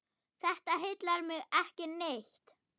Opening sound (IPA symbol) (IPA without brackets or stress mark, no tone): θ